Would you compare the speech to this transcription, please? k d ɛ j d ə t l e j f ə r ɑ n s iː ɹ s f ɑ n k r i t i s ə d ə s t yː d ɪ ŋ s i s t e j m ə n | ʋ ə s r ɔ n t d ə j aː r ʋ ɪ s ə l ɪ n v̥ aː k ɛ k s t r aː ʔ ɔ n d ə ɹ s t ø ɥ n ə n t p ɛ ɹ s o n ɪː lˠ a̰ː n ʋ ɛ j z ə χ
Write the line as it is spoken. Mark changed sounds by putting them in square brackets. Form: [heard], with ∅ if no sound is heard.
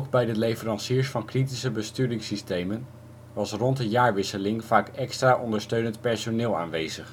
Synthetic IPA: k [b] ɛ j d ə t l e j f ə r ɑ n s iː ɹ s f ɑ n k r i t i s ə [b] ə s t yː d ɪ ŋ s i s t e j m ə n | ʋ [ɑ] s r ɔ n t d ə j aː [ɹ] ʋ ɪ s ə l ɪ [ŋ] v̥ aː k ɛ k s t r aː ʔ ɔ n d ə ɹ s t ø ɥ n ə n t p ɛ ɹ s o n ɪː lˠ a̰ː n ʋ [e] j z ə χ

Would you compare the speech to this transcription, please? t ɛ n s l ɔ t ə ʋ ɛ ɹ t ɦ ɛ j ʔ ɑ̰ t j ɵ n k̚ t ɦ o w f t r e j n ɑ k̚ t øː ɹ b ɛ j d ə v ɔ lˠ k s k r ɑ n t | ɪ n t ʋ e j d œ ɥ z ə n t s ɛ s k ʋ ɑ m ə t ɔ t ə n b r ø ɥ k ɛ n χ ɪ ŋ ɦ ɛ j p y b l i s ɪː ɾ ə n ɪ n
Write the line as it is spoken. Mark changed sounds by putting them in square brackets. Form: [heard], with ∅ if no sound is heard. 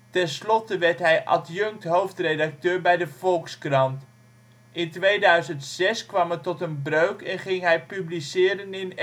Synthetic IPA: t ɛ n s l ɔ t ə ʋ ɛ ɹ t ɦ ɛ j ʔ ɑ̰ t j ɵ [ŋ] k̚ t ɦ o w f t r e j [d] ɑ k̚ t øː ɹ b ɛ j d ə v ɔ lˠ k s k r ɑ n t | ɪ n t ʋ e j d œ ɥ z ə n t s ɛ s k ʋ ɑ m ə t ɔ t ə n b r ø ɥ k ɛ n χ ɪ ŋ ɦ ɛ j p y b l i s ɪː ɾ ə n ɪ n

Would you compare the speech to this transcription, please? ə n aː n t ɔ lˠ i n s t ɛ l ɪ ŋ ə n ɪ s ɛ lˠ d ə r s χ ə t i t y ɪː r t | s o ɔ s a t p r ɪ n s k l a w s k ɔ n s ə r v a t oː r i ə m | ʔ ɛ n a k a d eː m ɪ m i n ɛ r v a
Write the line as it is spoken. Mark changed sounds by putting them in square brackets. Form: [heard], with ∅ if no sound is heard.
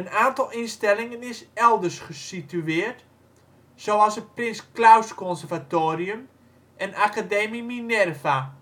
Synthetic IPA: ə n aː n t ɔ lˠ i n s t ɛ l ɪ ŋ ə n ɪ s ɛ lˠ d ə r s χ ə [s] i t y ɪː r t | s o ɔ s [ə] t p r ɪ n s k l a w s k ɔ n s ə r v a t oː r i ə m | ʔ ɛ n a k a d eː m [i] m i n ɛ r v a

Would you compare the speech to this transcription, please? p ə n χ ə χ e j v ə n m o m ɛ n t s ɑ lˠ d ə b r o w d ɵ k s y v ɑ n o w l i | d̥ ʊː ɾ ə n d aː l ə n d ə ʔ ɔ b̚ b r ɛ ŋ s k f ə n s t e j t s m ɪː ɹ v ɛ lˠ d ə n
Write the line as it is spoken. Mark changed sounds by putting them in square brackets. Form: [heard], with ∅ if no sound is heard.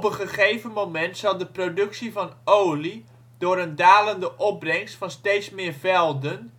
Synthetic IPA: p ə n χ ə χ e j v ə n m o m ɛ n t s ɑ lˠ d ə [p] r o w d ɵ k s [i] v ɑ n o w l i | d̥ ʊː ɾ ə n d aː l ə n d ə ʔ ɔ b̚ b r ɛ ŋ s [t] f [ɑ] n s t e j t s m ɪː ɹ v ɛ lˠ d ə n

